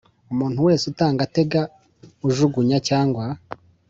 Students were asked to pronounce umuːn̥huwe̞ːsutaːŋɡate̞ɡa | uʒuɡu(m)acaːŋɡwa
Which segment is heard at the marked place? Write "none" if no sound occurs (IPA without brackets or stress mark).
ɲ